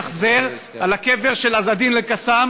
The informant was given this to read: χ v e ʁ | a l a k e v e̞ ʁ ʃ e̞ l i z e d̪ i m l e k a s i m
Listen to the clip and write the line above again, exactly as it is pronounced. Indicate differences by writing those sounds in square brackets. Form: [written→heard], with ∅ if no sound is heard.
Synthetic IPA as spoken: χ [v→z] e ʁ | a l a k e v e̞ ʁ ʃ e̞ l [i→a] z [e→a] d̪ i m l e k a s [i→a] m